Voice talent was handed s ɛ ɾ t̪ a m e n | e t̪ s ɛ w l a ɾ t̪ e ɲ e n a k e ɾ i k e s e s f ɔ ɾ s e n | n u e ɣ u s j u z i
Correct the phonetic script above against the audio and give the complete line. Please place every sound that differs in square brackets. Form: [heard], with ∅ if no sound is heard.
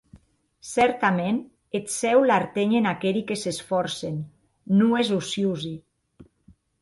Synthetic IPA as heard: s ɛ ɾ t̪ a m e n | e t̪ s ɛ w l a ɾ t̪ e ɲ e n a k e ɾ i k e s e s f ɔ ɾ s e n | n u e [z] u s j u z i